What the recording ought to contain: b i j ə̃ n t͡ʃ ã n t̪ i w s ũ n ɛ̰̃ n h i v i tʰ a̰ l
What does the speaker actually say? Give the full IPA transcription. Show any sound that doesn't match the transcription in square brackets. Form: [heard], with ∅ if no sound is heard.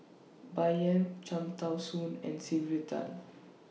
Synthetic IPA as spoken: b [a] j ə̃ n t͡ʃ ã [m] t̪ [a] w s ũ n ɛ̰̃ n [s] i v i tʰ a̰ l

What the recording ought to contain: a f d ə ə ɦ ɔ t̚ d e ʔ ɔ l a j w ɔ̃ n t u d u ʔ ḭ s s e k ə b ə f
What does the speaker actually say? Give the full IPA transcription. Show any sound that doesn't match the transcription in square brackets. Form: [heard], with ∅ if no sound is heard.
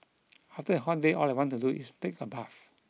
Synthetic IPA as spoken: a f [t] ə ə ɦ ɔ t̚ d e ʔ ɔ l a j w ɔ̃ n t u d u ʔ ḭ s [t] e k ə b [a] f

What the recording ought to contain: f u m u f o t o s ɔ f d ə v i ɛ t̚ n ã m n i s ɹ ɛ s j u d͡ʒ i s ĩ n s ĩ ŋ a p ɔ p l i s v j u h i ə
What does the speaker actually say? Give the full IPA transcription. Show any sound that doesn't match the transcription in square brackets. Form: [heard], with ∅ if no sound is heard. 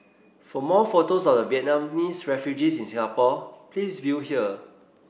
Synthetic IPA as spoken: f [ɔ] m [ɔ] f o t o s ɔ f d ə v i ɛ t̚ n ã m n i s ɹ ɛ [f] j u d͡ʒ i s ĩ n s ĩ ŋ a p ɔ p l i s v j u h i ə

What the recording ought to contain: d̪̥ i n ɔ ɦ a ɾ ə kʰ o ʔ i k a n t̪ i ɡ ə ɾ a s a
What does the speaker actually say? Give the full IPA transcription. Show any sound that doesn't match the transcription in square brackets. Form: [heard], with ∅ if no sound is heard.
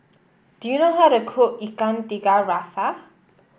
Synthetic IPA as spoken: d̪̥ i n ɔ ɦ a ɾ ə kʰ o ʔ i k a n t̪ i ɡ [a] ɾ a s a

